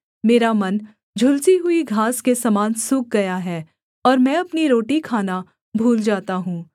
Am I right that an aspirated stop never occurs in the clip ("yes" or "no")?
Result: no